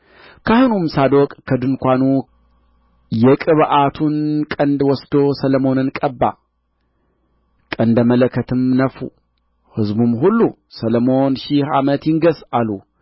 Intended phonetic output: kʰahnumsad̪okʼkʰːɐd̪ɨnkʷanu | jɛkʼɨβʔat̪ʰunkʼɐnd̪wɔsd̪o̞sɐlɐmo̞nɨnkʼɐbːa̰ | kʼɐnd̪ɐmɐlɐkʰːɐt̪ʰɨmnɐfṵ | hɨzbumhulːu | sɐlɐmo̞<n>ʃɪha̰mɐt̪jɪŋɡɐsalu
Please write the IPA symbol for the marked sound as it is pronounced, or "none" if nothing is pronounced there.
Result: n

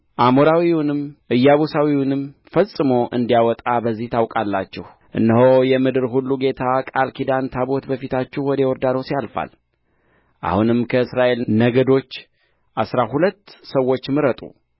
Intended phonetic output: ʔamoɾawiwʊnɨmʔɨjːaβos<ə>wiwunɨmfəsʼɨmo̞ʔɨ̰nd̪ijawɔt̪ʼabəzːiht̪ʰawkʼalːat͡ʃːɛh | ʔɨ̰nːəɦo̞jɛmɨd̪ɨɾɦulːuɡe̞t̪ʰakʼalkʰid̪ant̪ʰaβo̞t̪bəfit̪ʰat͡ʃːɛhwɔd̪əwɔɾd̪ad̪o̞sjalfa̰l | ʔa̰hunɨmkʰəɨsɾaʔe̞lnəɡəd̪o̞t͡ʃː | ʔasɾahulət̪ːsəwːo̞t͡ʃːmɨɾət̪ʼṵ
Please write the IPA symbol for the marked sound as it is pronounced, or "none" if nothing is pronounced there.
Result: a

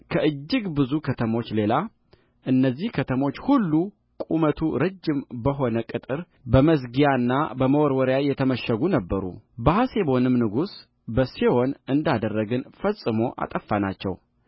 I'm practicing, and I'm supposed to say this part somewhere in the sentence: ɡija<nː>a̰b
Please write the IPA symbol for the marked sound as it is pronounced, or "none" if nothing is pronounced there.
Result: nː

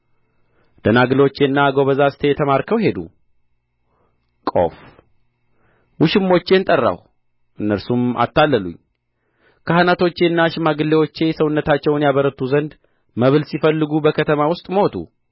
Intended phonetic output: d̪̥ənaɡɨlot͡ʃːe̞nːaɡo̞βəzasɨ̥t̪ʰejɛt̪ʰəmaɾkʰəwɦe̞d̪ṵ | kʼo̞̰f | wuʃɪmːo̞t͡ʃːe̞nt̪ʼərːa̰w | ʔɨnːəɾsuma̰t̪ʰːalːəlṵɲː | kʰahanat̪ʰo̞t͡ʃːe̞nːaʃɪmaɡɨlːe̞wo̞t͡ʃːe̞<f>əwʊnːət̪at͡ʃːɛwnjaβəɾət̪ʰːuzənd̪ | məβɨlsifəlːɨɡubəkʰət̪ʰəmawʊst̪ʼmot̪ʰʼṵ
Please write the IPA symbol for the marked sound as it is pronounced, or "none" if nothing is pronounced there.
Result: s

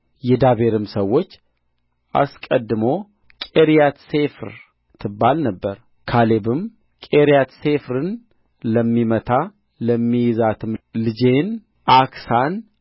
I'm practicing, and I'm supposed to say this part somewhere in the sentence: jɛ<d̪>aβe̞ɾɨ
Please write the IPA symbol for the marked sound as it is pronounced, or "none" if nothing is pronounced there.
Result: d̪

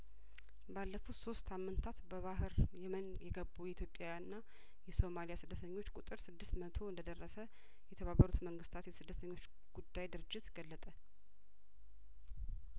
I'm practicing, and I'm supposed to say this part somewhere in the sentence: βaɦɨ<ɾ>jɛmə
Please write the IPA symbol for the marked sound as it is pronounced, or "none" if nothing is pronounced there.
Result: ɾ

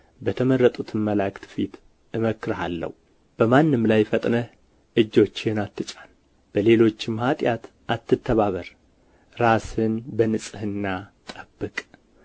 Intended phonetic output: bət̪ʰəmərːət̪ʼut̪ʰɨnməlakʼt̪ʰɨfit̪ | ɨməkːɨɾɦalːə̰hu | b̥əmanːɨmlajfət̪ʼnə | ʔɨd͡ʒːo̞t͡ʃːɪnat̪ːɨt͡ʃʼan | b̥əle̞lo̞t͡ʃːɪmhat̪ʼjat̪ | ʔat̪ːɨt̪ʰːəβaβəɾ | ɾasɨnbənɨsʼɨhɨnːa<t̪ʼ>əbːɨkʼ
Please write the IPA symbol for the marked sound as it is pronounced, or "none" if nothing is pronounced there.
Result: t̪ʼ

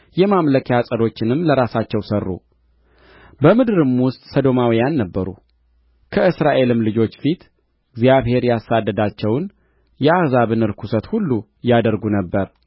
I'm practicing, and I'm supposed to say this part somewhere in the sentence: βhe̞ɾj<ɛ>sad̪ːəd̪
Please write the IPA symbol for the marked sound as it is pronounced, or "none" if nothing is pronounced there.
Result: a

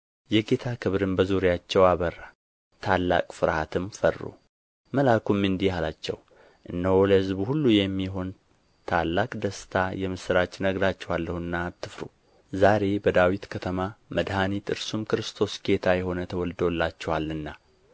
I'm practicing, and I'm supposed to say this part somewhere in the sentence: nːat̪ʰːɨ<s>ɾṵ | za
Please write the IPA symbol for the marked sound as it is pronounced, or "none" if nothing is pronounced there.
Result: f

